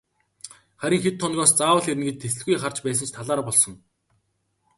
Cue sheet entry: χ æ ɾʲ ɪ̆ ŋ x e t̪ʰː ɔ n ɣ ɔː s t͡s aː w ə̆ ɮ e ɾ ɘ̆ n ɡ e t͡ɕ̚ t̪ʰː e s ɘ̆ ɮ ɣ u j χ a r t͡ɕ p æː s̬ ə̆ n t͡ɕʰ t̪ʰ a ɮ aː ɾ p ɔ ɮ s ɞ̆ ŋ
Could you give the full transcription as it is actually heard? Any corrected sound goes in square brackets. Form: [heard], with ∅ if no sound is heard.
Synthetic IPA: χ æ ɾʲ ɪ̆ ŋ x e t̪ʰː ɔ n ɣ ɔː s t͡s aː w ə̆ ɮ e ɾ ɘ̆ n ɡ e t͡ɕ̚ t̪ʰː e s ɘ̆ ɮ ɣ u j χ a r t͡ɕ p æː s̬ ə̆ n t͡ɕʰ t̪ʰ a ɮ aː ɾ p ɔ ɮ s ɞ̆ ŋ

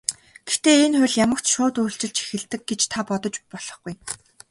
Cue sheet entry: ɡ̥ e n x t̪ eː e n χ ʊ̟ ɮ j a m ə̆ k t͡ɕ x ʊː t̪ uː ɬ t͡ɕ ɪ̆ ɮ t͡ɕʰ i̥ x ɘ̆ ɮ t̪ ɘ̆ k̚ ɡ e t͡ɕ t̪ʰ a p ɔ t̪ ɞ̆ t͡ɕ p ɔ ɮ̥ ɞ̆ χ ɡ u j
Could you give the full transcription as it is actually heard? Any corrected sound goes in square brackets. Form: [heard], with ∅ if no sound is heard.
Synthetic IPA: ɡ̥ e [∅] x t̪ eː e n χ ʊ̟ ɮ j a m ə̆ k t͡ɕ [ʃ] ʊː t̪ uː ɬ t͡ɕ ɪ̆ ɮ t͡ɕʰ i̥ x ɘ̆ ɮ t̪ ɘ̆ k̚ ɡ e t͡ɕ t̪ʰ a p ɔ t̪ ɞ̆ t͡ɕ p ɔ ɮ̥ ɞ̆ χ ɡ u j

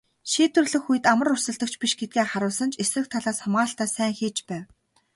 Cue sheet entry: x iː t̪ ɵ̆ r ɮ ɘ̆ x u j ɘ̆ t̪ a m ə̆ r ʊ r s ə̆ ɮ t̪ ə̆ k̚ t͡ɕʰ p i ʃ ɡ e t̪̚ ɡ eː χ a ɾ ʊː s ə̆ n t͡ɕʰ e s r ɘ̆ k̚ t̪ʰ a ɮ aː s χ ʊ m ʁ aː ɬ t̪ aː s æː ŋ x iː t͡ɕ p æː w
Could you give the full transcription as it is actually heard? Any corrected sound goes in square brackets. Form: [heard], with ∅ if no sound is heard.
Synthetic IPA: [ʃ] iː t̪ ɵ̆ r ɮ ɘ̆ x u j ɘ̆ t̪ a m ə̆ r ʊ r s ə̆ ɮ t̪ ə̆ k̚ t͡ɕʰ p i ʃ ɡ e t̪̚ ɡ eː χ a ɾ ʊː s ə̆ n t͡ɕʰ e s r ɘ̆ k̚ t̪ʰ a ɮ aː s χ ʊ m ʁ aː ɬ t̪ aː s æː ŋ x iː t͡ɕ p æː w

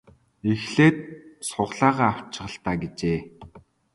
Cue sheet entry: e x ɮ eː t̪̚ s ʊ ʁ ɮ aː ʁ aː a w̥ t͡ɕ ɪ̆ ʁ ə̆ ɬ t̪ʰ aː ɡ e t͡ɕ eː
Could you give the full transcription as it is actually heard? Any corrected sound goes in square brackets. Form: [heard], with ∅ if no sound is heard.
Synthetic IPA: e x ɮ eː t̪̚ s ʊ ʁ ɮ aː ʁ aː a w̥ t͡ɕ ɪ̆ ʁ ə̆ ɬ [t̪] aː ɡ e t͡ɕ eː

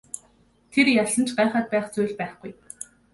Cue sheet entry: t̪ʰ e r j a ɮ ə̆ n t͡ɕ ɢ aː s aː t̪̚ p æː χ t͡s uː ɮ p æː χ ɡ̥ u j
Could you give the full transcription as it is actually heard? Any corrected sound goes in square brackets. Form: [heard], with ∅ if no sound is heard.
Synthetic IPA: t̪ʰ e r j a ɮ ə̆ n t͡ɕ ɢ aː [χ] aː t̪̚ p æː χ t͡s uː ɮ p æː χ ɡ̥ u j

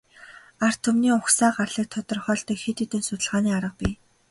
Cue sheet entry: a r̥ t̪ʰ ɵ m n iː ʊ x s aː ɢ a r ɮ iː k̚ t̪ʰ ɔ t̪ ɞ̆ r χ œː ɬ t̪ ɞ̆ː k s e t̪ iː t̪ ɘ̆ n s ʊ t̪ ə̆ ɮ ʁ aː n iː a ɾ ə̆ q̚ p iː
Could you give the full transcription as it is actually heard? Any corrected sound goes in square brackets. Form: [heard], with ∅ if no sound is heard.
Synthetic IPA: a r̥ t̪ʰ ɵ m n iː ʊ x s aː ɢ a r ɮ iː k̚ t̪ʰ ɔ t̪ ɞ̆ r χ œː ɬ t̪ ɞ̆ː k [x] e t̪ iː t̪ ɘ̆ n s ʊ t̪ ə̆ ɮ ʁ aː n iː a ɾ ə̆ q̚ p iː

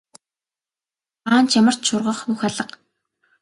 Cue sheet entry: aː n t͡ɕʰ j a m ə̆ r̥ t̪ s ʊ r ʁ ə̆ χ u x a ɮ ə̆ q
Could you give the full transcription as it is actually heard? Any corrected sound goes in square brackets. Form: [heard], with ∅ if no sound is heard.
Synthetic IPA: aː n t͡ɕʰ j a m ə̆ r̥ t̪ [ʃ] ʊ r ʁ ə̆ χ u x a ɮ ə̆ q

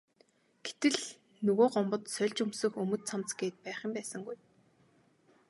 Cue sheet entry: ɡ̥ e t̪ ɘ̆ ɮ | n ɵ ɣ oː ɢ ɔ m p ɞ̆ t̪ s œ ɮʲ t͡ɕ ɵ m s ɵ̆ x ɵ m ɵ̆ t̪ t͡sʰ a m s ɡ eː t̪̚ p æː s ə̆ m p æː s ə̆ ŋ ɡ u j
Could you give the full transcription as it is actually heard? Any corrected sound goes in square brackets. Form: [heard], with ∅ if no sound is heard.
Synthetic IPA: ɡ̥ e t̪ ɘ̆ ɮ | n ɵ ɣ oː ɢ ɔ m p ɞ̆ t̪ s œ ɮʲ t͡ɕ ɵ m s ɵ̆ x ɵ m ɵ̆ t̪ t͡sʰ a m [t͡s] ɡ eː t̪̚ p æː [χ] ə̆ m p æː s ə̆ ŋ ɡ u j

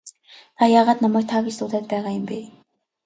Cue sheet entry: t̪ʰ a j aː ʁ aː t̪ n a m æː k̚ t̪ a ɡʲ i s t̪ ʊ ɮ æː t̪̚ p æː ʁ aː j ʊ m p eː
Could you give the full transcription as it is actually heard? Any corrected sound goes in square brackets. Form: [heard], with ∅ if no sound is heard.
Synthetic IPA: t̪ʰ a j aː ʁ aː t̪ n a m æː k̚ [t̪ʰ] a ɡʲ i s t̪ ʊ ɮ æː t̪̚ p æː ʁ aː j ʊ m p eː

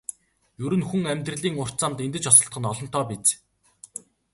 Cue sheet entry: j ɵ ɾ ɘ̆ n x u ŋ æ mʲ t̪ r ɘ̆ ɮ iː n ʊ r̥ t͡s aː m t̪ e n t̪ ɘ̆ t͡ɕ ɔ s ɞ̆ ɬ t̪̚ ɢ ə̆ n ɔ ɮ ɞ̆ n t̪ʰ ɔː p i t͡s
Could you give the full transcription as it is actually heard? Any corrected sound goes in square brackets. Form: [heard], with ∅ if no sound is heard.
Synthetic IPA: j ɵ ɾ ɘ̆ n x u ŋ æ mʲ t̪ r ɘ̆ ɮ iː [ŋ] ʊ r̥ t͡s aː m t̪ e n t̪ ɘ̆ t͡ɕ ɔ s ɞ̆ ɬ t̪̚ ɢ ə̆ n ɔ ɮ ɞ̆ n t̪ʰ ɔː p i t͡s

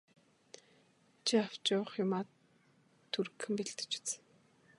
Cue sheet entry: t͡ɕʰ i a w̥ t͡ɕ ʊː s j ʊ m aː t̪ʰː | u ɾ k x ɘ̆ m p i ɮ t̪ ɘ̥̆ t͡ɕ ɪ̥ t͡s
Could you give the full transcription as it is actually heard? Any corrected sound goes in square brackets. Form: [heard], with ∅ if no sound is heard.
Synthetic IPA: t͡ɕʰ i a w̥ t͡ɕ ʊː [χ] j ʊ m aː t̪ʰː | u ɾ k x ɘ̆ m p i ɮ t̪ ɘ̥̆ t͡ɕ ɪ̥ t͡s

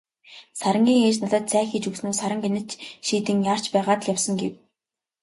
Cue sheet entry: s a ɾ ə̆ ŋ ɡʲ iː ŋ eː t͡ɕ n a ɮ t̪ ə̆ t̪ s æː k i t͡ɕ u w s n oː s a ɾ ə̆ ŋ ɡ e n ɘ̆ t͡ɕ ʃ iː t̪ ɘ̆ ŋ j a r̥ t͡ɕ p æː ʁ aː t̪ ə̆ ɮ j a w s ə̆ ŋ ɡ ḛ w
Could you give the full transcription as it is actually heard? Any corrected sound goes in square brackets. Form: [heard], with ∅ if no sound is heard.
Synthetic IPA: s a ɾ ə̆ ŋ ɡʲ iː ŋ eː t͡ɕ n a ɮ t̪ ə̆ t̪ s æː [x] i t͡ɕ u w s n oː s a ɾ ə̆ ŋ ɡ e n ɘ̆ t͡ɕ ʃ iː t̪ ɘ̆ ŋ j a r̥ t͡ɕ p æː ʁ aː t̪ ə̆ ɮ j a w s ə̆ ŋ ɡ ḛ w

